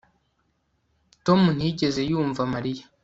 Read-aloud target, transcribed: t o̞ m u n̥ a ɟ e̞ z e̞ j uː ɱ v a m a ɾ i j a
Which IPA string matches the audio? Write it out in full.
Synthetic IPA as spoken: t o̞ m u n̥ i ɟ e̞ z e̞ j uː ɱ v a m a ɾ i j a